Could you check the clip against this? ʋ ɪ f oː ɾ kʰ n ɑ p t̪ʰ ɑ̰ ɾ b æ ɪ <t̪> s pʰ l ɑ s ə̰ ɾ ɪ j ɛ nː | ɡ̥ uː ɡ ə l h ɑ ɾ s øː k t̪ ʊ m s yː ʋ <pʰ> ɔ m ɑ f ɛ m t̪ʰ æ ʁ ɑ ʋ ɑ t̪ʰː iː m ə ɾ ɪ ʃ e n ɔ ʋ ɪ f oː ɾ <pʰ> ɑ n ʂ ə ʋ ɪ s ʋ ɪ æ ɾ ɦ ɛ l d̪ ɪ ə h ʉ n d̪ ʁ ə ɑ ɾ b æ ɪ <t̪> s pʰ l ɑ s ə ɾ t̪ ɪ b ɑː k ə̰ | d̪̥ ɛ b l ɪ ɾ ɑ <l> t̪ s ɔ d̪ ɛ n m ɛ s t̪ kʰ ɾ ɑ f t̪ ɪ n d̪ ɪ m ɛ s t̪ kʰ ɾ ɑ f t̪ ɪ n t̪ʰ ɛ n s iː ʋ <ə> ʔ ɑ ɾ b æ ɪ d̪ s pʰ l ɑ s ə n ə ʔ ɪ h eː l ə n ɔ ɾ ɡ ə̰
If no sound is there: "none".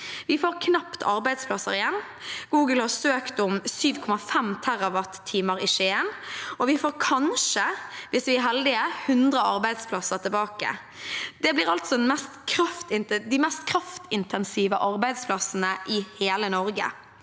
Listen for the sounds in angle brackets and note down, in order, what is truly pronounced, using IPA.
d̪, kʰ, kʰ, d̪, l, ə

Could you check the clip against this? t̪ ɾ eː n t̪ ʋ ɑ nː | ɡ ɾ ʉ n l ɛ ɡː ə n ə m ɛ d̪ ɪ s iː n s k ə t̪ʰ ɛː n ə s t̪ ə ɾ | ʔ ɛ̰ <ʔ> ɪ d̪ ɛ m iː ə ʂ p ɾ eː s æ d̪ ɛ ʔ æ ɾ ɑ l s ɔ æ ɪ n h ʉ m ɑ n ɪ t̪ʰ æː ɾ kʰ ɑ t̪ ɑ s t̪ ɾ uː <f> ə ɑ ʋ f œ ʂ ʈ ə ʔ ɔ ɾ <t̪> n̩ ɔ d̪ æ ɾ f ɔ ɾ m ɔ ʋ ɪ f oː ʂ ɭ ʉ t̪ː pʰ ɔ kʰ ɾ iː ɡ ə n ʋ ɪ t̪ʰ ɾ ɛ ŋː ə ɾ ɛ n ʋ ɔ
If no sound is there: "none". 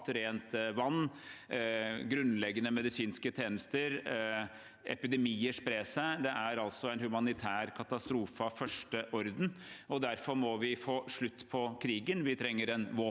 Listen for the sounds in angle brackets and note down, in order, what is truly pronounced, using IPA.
p, f, d̪

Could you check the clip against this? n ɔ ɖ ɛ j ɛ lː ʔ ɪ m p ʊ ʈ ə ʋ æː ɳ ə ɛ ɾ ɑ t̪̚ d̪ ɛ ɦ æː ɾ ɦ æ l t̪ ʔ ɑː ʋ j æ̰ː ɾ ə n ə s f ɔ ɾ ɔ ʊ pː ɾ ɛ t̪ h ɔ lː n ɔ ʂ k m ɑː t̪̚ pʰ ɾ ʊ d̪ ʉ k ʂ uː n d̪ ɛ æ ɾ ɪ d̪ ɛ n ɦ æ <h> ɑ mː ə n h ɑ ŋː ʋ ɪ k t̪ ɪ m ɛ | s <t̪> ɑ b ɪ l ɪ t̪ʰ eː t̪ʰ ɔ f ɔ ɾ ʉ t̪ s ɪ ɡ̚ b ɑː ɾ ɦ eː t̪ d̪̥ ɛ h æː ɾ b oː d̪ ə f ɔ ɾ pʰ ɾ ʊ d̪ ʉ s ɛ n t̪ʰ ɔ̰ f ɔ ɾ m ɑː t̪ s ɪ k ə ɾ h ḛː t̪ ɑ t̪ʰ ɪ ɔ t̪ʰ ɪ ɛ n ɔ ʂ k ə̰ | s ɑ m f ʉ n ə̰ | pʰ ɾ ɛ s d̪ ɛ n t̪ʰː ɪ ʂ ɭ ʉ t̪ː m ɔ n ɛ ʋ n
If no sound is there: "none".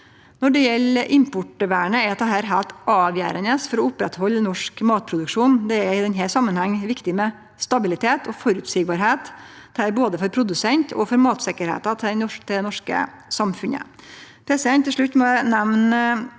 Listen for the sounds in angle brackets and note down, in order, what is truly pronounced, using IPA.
s, t̪

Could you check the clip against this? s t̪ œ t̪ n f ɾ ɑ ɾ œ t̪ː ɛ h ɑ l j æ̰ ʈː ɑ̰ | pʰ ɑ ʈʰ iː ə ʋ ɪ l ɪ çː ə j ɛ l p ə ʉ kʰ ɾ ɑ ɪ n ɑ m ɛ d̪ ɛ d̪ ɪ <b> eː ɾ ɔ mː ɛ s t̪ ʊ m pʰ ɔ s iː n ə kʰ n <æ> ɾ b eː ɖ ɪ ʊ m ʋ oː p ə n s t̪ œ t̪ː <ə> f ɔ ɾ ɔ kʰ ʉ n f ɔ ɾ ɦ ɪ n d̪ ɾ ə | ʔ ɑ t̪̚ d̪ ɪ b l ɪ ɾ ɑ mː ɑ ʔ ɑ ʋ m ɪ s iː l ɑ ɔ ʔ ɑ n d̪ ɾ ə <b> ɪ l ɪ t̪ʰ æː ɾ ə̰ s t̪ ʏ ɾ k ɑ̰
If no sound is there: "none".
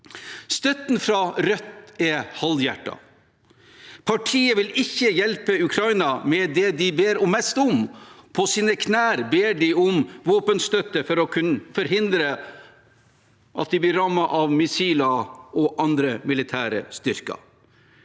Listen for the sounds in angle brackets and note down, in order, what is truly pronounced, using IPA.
b, æː, ə, m

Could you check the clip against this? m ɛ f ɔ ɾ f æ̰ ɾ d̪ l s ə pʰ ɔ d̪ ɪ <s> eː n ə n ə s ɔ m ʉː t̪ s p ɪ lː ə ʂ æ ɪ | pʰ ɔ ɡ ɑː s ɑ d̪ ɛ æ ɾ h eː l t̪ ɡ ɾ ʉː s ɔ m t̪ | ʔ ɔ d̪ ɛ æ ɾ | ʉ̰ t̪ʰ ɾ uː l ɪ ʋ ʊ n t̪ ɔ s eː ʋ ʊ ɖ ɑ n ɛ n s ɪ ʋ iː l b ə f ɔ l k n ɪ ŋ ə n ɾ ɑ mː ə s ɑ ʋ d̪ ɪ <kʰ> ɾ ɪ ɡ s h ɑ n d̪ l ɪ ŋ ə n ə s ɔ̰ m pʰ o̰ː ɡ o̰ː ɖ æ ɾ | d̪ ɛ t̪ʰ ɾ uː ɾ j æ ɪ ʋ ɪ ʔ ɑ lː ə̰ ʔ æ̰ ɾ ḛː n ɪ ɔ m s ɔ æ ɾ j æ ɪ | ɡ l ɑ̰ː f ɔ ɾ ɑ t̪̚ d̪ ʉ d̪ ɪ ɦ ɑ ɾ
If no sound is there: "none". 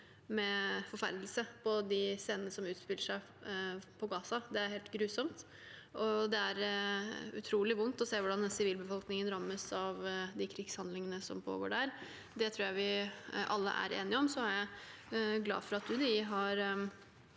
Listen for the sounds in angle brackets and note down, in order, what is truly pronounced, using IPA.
s, kʰ

